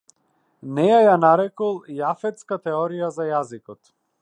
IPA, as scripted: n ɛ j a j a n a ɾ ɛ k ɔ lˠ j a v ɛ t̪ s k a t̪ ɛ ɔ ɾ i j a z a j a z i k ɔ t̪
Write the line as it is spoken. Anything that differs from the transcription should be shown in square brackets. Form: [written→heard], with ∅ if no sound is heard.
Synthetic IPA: n ɛ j a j a n a ɾ ɛ k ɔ lˠ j a [v→f] ɛ t̪ s k a t̪ ɛ ɔ ɾ i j a z a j a z i k ɔ t̪